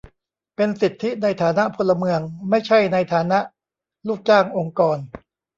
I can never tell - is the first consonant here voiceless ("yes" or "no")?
yes